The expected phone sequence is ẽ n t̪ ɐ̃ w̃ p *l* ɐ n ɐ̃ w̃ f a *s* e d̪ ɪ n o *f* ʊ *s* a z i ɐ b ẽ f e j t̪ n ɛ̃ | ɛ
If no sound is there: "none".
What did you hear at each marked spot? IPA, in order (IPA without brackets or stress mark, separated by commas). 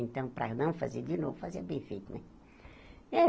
ɾ, z, v, f